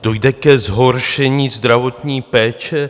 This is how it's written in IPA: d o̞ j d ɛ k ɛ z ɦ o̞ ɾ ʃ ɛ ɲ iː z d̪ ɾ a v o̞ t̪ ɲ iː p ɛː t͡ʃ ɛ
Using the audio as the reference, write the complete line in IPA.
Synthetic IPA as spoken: d o̞ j d ɛ k ɛ z ɦ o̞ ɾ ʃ ɛ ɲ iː z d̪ ɾ a v o̞ t̪ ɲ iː p ɛː t͡ʃ ɛ